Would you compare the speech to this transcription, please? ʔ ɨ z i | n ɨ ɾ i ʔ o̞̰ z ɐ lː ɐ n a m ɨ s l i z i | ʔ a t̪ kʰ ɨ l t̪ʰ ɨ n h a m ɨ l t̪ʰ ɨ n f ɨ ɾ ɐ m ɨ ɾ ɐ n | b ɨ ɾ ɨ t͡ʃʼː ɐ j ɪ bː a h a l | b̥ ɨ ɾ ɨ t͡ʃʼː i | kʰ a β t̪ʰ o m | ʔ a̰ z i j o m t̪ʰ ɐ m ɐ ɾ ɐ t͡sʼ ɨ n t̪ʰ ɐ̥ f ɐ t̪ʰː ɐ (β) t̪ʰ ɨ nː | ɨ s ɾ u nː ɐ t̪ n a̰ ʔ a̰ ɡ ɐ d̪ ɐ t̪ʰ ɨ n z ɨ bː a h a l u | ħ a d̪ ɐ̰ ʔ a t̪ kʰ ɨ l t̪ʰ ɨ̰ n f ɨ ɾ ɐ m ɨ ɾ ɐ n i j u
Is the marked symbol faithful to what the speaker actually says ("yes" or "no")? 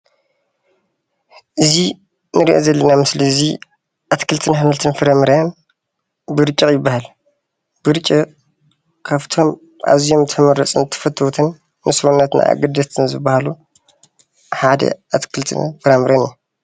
no